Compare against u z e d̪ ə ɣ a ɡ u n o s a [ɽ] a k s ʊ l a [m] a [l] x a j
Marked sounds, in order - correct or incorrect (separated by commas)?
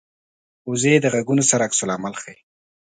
incorrect, correct, correct